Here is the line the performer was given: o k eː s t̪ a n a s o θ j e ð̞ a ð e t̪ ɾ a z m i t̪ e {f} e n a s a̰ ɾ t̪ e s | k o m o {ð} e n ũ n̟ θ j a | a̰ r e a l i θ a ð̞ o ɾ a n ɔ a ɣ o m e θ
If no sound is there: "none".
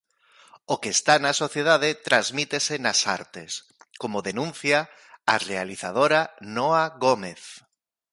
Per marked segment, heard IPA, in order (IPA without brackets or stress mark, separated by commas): s, ð